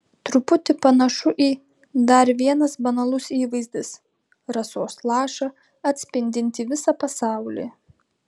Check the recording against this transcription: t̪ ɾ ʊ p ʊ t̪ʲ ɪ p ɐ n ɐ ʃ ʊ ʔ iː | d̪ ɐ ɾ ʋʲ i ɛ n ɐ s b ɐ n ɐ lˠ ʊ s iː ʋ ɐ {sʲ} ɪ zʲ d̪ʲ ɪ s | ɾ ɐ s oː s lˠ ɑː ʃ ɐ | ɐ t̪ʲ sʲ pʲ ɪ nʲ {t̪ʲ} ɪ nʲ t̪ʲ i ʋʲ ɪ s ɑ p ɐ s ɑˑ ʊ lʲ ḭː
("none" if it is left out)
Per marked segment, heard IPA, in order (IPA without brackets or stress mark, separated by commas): none, d̪ʲ